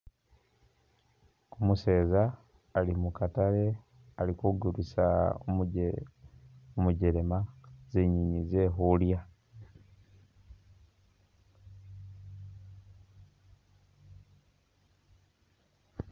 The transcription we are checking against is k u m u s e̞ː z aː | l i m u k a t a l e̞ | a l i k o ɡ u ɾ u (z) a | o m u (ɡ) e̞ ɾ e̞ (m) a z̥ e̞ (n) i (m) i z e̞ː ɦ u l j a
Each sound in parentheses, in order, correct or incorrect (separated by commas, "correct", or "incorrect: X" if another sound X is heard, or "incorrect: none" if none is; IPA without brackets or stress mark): incorrect: s, incorrect: ɟ, correct, incorrect: ɲ, incorrect: ɲ